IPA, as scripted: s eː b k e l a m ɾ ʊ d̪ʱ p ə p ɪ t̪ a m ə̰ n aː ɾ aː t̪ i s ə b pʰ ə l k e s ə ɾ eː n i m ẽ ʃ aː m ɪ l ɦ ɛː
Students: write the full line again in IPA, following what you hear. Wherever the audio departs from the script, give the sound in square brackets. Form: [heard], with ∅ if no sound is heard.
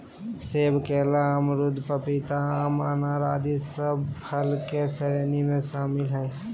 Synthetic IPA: s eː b k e l a m ɾ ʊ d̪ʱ p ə p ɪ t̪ a m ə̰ n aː ɾ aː [d̪] i s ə b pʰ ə l k e s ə ɾ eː n i m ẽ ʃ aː m ɪ l ɦ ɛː